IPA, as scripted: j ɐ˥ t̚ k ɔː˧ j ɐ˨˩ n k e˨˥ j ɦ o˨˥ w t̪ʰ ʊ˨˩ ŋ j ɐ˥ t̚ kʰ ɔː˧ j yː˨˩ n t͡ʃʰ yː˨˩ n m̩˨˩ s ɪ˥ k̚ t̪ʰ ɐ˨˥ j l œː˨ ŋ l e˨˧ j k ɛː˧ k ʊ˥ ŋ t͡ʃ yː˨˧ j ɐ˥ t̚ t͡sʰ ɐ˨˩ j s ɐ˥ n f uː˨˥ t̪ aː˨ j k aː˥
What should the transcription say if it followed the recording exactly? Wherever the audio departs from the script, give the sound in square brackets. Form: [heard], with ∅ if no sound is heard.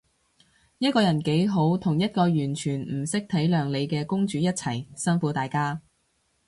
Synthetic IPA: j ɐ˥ t̚ k ɔː˧ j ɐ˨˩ n k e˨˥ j ɦ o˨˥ w t̪ʰ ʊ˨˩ ŋ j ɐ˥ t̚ [k] ɔː˧ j yː˨˩ n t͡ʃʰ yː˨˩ n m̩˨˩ s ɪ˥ k̚ t̪ʰ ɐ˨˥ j l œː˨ ŋ l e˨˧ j k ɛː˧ k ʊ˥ ŋ t͡ʃ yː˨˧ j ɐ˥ t̚ t͡sʰ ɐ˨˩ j s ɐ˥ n f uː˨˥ t̪ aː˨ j k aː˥